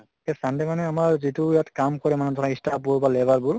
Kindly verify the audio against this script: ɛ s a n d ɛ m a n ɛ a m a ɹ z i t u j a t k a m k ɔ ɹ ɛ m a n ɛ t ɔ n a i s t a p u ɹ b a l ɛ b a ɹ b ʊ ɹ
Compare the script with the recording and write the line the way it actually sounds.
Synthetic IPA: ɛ s a n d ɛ m a n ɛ a m a ɹ z i t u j a t k a m k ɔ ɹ ɛ m a n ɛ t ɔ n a i s t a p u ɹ b a l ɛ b a ɹ b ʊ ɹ